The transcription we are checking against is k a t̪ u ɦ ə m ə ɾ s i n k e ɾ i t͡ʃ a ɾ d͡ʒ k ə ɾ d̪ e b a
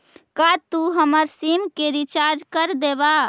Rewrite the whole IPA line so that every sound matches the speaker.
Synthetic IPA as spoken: k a t̪ u ɦ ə m ə ɾ s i m k e ɾ i t͡ʃ a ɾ d͡ʒ k ə ɾ d̪ e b a